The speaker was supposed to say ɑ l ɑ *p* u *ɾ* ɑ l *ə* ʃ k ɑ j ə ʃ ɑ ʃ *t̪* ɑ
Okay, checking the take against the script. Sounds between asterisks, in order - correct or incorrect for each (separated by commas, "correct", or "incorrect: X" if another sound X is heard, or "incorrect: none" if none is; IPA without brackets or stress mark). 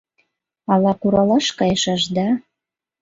incorrect: k, correct, incorrect: ɑ, incorrect: d̪